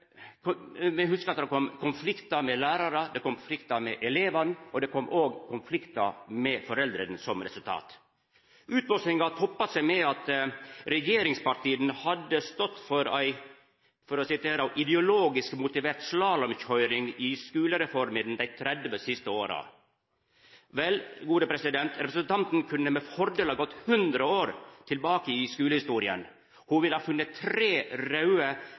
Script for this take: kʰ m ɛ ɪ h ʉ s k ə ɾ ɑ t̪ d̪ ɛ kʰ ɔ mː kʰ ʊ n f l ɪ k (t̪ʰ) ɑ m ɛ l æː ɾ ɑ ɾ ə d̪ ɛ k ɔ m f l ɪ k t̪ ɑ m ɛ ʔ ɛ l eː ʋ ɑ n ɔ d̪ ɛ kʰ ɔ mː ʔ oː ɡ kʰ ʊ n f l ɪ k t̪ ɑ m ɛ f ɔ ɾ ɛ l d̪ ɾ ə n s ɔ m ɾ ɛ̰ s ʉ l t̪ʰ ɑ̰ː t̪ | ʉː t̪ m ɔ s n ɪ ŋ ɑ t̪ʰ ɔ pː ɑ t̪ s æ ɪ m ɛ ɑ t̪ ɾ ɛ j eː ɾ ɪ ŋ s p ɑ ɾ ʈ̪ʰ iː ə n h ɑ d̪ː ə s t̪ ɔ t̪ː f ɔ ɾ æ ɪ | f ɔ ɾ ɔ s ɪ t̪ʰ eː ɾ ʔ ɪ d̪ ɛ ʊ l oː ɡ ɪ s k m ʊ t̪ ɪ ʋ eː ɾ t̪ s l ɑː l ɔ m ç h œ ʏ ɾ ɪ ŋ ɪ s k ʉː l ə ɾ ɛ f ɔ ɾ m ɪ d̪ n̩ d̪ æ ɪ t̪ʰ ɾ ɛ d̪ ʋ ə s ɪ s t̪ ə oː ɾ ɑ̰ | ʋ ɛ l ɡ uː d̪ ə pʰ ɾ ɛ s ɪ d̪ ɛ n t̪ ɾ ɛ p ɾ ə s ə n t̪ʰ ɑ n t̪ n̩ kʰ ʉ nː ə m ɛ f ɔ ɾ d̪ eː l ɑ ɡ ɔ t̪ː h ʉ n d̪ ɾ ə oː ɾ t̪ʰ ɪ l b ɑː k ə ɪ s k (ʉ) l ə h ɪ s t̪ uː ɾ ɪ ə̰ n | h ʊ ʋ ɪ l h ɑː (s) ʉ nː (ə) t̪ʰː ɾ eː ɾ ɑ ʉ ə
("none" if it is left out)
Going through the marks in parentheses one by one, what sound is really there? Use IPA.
t̪, ʉː, f, ə

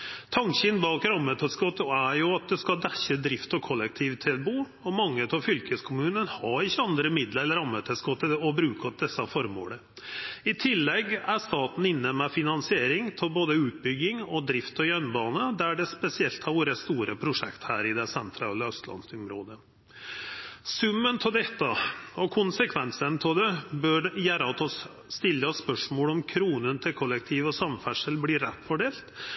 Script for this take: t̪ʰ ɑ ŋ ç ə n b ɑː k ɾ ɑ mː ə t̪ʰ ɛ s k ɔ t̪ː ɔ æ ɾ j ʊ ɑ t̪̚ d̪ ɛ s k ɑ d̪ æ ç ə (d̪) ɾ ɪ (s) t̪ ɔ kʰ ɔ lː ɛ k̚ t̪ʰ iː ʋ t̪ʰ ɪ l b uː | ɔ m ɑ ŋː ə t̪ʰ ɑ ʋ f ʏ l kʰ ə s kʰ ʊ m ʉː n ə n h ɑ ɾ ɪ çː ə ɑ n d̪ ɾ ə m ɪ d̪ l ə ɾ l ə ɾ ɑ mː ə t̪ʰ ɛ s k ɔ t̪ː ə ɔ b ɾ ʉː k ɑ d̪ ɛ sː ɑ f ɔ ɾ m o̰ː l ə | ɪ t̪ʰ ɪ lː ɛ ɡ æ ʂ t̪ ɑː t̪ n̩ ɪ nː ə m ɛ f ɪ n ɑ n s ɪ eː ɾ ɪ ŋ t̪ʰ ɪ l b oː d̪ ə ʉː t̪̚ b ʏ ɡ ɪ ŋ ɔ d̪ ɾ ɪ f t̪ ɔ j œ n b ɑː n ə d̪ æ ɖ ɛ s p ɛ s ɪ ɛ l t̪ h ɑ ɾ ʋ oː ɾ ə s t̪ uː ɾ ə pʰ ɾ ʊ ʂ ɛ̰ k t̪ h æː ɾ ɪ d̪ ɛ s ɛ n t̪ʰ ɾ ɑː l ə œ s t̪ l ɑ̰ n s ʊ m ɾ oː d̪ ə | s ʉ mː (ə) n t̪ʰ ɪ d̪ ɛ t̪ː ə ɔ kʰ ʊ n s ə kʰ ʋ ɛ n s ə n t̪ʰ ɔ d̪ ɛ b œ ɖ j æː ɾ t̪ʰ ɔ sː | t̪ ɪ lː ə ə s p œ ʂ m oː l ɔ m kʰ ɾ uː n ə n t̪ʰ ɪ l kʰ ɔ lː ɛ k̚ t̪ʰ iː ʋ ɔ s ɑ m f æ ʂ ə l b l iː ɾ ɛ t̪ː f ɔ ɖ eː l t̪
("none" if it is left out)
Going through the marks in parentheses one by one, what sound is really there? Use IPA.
d̪, f, ə

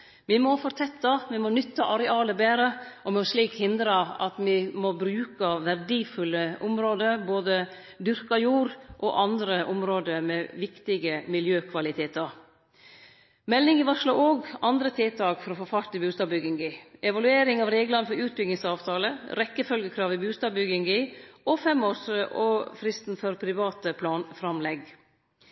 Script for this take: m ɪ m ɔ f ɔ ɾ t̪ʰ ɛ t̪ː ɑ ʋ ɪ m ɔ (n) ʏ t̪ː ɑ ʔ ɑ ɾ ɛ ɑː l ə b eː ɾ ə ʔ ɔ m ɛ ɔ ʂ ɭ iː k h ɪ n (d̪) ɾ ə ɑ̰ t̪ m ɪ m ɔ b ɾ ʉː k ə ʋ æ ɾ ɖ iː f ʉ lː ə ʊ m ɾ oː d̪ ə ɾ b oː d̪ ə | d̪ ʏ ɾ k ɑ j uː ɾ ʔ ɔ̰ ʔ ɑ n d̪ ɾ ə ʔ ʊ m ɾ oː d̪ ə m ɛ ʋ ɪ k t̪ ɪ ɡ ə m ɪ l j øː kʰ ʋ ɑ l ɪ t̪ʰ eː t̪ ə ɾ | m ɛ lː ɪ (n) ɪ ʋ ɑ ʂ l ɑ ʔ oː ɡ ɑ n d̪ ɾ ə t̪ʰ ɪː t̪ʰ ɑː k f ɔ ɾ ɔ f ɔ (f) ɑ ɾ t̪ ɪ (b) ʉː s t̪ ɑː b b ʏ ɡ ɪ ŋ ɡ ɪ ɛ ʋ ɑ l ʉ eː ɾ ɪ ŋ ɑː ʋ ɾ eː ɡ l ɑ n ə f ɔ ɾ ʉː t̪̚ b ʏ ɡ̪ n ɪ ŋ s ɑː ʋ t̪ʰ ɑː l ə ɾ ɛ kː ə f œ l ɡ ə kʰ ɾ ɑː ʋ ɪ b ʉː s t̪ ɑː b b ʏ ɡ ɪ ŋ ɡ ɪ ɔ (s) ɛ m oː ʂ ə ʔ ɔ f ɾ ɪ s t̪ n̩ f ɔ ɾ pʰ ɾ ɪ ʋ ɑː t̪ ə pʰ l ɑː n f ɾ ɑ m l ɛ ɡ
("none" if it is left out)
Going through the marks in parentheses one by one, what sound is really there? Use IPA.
n, d̪, ŋ, f, b, f

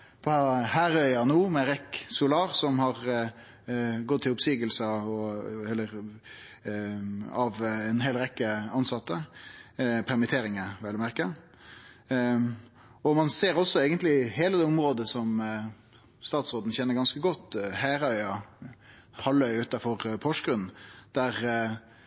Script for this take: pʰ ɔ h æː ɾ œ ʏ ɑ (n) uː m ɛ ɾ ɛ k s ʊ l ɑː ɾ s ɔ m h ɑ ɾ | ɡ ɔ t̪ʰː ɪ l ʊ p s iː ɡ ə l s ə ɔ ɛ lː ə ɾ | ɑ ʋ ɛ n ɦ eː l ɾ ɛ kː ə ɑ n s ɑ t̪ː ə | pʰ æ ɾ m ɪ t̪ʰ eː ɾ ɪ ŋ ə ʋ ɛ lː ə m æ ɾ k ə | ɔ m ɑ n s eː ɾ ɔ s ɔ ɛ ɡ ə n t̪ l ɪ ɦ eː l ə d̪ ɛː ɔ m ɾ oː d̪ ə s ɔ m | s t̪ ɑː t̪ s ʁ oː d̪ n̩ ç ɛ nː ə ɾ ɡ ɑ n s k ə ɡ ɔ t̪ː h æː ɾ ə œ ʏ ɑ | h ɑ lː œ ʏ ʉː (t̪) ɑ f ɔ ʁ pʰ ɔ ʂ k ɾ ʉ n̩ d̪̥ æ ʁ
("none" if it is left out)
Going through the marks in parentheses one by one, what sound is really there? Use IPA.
n, t̪

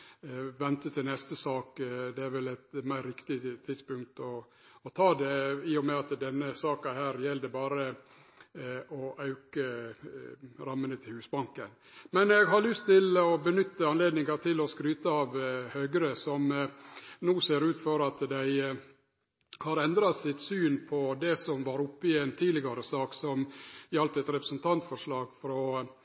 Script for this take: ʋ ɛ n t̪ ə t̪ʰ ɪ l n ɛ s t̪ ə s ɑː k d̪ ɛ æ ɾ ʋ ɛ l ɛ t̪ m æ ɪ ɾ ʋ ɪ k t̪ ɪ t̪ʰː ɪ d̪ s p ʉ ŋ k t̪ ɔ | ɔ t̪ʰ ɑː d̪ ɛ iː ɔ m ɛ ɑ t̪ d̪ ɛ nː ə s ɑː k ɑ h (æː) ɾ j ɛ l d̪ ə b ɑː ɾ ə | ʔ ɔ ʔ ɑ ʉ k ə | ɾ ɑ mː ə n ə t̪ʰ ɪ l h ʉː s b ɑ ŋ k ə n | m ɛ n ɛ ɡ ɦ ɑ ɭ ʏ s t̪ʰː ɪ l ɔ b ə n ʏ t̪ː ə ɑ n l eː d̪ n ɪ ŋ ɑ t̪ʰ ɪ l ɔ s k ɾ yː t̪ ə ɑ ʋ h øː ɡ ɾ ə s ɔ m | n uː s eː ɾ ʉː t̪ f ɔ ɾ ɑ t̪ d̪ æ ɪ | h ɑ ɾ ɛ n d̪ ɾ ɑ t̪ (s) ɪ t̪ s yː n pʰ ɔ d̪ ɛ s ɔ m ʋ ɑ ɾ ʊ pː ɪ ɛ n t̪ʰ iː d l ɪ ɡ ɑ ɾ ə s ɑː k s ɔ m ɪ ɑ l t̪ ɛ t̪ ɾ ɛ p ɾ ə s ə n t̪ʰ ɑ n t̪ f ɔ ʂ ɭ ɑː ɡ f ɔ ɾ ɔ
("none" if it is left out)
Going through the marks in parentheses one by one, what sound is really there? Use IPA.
æː, s

